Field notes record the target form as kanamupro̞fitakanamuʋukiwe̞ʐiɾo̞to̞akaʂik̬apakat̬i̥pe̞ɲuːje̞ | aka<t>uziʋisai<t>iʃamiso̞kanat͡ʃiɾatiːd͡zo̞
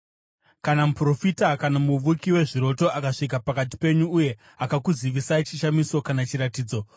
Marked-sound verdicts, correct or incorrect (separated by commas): incorrect, incorrect